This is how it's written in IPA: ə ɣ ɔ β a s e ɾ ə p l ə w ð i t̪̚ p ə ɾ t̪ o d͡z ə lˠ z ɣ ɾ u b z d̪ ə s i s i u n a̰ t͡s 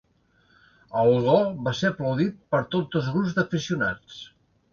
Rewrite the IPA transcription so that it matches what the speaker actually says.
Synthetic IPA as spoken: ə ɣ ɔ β a s e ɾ ə p l ə w ð i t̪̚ p ə ɾ t̪ o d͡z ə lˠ z ɣ ɾ u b z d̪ ə f i s i u n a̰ t͡s